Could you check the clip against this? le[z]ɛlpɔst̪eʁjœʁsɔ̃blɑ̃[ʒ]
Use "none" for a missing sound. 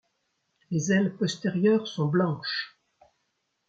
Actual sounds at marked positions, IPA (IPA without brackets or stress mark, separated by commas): z, ʃ